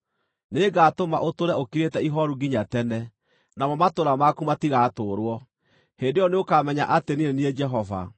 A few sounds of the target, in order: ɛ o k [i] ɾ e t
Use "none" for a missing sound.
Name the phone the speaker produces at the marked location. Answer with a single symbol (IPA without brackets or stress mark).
i